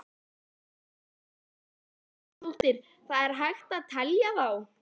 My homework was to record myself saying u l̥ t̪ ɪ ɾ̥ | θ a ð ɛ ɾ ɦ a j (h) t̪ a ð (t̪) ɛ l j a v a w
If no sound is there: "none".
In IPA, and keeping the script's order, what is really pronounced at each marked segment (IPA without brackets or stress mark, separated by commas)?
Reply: x, t̪ʰ